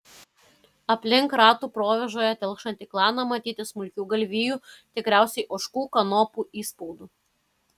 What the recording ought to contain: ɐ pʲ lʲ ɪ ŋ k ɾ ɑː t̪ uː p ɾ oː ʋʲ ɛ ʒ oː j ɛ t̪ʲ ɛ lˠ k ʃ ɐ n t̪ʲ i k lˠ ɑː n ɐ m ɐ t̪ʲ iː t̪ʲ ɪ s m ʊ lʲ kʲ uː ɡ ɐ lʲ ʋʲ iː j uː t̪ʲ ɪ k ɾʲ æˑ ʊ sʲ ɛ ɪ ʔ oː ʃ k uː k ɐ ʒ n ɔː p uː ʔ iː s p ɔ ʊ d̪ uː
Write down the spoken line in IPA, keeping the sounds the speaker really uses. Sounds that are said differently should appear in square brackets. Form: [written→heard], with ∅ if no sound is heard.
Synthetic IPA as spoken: ɐ pʲ lʲ ɪ ŋ k ɾ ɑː t̪ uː p ɾ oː ʋʲ ɛ ʒ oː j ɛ t̪ʲ ɛ lˠ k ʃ ɐ n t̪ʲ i k lˠ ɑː n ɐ m ɐ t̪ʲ iː t̪ʲ ɪ s m ʊ lʲ kʲ uː ɡ ɐ lʲ ʋʲ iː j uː t̪ʲ ɪ k ɾʲ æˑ ʊ sʲ ɛ ɪ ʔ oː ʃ k uː k ɐ [ʒ→∅] n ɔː p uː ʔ iː s p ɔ ʊ d̪ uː

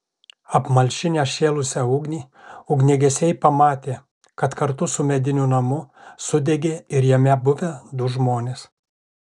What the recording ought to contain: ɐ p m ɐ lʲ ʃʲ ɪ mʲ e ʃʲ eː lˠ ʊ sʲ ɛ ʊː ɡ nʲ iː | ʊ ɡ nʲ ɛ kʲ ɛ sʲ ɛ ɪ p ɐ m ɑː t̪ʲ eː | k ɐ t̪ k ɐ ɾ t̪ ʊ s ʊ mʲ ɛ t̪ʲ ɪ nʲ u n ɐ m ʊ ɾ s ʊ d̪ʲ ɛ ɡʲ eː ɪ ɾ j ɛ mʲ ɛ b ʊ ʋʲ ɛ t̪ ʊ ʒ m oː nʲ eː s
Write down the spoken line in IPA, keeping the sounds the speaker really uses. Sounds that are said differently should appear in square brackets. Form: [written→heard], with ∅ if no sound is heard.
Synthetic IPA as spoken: ɐ p m ɐ lʲ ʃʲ ɪ [mʲ→nʲ] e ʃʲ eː lˠ ʊ sʲ ɛ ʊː ɡ nʲ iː | ʊ ɡ nʲ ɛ [kʲ→ɡʲ] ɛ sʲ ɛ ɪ p ɐ m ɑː t̪ʲ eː | k ɐ t̪ k ɐ ɾ t̪ ʊ s ʊ mʲ ɛ [t̪ʲ→d̪ʲ] ɪ nʲ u n ɐ m ʊ [ɾ→∅] s ʊ d̪ʲ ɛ ɡʲ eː ɪ ɾ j ɛ mʲ ɛ b ʊ ʋʲ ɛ [t̪→d̪] ʊ ʒ m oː nʲ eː s

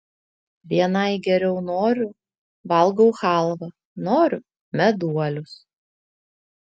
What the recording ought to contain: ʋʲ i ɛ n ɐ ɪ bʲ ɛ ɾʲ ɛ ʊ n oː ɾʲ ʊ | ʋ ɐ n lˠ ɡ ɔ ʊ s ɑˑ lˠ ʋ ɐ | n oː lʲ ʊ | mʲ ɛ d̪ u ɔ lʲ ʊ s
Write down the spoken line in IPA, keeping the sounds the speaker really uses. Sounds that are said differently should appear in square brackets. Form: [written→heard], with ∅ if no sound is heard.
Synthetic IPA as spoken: ʋʲ i ɛ n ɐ ɪ [bʲ→ɡʲ] ɛ ɾʲ ɛ ʊ n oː ɾʲ ʊ | ʋ ɐ [n→∅] lˠ ɡ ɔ ʊ [s→x] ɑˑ lˠ ʋ ɐ | n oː [lʲ→ɾʲ] ʊ | mʲ ɛ d̪ u ɔ lʲ ʊ s

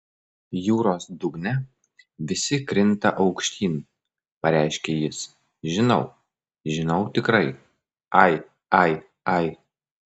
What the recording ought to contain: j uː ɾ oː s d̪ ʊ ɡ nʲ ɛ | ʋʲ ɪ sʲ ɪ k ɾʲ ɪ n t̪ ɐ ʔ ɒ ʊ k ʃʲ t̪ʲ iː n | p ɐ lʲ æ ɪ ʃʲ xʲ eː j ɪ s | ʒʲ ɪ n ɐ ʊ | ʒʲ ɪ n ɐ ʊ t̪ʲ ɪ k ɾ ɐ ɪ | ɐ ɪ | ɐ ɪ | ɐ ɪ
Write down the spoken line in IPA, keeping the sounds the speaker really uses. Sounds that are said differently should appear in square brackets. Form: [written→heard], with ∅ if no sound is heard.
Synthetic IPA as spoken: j uː ɾ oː s d̪ ʊ ɡ nʲ ɛ | ʋʲ ɪ sʲ ɪ k ɾʲ ɪ n t̪ ɐ ʔ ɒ ʊ k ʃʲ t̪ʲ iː n | p ɐ [lʲ→ɾʲ] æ ɪ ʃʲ [xʲ→kʲ] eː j ɪ s | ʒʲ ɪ n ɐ ʊ | ʒʲ ɪ n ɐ ʊ t̪ʲ ɪ k ɾ ɐ ɪ | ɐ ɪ | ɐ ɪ | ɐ ɪ

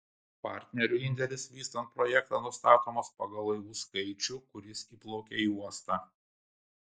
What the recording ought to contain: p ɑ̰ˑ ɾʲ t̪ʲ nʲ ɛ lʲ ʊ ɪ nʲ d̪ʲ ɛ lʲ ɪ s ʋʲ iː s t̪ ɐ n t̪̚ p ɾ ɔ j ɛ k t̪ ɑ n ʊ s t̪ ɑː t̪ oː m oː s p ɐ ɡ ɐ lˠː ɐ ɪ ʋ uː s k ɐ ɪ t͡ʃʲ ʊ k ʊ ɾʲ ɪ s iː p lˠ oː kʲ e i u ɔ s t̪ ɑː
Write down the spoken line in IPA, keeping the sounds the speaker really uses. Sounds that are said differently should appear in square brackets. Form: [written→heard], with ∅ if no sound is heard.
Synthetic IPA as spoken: p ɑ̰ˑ ɾʲ t̪ʲ nʲ ɛ [lʲ→ɾʲ] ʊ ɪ nʲ d̪ʲ ɛ lʲ ɪ s ʋʲ iː s t̪ ɐ n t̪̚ p ɾ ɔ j ɛ k t̪ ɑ n ʊ s t̪ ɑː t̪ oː m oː s p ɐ ɡ ɐ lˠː ɐ ɪ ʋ uː s k ɐ ɪ t͡ʃʲ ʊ k ʊ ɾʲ ɪ s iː p lˠ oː kʲ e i u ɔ s t̪ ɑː

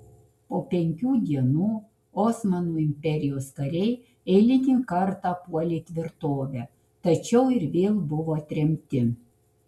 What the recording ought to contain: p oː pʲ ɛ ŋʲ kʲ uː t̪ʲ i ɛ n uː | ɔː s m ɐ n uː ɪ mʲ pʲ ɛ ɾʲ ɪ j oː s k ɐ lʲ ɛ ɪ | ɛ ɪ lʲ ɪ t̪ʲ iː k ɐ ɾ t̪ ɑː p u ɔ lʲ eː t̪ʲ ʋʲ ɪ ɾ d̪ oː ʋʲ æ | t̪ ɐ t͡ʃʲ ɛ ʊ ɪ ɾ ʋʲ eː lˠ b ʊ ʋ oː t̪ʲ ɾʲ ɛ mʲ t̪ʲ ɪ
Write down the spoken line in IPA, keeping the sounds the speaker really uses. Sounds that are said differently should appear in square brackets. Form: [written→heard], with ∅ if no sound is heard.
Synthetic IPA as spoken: p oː pʲ ɛ ŋʲ kʲ uː [t̪ʲ→d̪ʲ] i ɛ n uː | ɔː s m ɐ n uː ɪ mʲ pʲ ɛ ɾʲ ɪ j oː s k ɐ [lʲ→ɾʲ] ɛ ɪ | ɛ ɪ lʲ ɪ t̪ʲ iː k ɐ ɾ t̪ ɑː p u ɔ lʲ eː t̪ʲ ʋʲ ɪ ɾ [d̪→t̪] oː ʋʲ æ | t̪ ɐ t͡ʃʲ ɛ ʊ ɪ ɾ ʋʲ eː lˠ b ʊ ʋ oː t̪ʲ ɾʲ ɛ mʲ t̪ʲ ɪ

